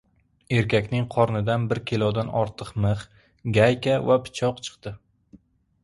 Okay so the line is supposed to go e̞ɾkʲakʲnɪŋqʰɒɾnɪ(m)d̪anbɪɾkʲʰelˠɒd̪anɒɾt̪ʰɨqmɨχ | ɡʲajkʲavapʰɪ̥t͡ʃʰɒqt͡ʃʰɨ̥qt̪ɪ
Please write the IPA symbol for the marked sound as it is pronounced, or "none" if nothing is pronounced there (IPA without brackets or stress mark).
none